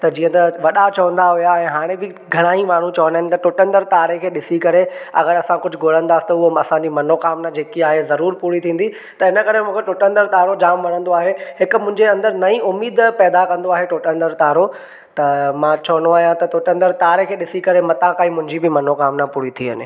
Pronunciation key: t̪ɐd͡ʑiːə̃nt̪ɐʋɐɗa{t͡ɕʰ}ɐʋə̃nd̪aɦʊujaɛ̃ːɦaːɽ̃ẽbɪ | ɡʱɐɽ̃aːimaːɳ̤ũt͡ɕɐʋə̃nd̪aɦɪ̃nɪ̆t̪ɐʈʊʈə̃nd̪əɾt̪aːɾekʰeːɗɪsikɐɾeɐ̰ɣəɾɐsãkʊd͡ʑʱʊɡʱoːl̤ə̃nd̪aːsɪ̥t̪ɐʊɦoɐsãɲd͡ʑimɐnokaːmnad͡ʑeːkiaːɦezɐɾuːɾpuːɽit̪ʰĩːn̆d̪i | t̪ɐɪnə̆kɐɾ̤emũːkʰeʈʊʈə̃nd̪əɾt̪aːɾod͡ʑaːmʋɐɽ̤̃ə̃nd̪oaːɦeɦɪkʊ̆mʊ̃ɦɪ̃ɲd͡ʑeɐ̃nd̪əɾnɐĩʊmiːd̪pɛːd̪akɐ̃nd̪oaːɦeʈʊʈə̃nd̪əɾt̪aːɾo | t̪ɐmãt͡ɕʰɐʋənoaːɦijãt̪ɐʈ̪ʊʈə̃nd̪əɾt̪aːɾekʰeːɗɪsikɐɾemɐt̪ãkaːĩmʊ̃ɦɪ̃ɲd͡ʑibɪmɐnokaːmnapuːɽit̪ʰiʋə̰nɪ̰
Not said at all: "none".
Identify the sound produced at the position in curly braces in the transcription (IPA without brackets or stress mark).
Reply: t͡ɕ